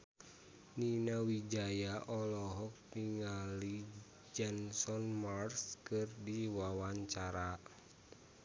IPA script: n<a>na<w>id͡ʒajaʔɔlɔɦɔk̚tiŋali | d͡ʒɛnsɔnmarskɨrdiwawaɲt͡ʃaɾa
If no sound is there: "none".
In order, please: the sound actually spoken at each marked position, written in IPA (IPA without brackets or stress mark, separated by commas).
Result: i, w